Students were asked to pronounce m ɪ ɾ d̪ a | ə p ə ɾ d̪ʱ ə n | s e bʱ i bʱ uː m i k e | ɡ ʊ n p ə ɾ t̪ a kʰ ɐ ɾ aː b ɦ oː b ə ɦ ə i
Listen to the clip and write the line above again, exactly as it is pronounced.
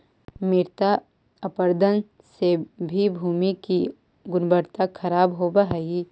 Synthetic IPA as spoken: m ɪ ɾ t̪ a | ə p ə ɾ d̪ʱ ə n | s e bʱ i bʱ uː m i k i | ɡ ʊ n b ə ɾ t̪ a kʰ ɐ ɾ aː b ɦ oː b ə ɦ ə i